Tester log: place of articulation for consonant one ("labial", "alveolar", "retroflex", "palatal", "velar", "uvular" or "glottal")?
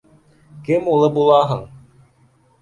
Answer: velar